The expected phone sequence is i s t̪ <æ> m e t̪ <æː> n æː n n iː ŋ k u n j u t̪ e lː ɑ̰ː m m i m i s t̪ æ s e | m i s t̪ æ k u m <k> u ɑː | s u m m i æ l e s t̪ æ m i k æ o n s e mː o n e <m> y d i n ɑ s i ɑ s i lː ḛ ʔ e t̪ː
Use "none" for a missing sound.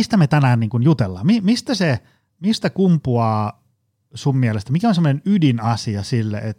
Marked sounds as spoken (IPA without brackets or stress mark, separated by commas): æ, æ, p, n